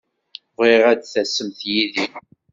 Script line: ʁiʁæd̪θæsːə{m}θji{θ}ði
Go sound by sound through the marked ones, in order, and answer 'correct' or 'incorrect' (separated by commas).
correct, incorrect